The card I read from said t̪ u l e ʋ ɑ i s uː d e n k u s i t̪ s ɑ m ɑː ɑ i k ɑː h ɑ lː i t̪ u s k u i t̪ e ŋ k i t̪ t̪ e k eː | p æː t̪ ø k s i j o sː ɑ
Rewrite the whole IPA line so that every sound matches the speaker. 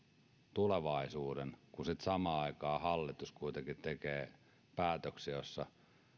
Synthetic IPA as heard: t̪ u l e ʋ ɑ i s uː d e n k u s i t̪ s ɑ m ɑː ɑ i k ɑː h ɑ lː i t̪ u s k u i t̪ e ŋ k i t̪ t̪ e k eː | p æː t̪ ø k s i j o sː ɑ